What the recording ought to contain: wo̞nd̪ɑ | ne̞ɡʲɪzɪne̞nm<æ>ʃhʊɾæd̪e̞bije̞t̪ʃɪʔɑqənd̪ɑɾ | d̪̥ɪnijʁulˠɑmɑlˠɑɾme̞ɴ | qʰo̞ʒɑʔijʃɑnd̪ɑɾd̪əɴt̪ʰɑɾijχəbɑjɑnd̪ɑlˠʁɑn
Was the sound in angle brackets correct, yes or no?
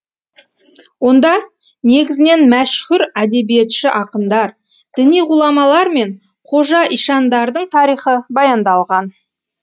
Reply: yes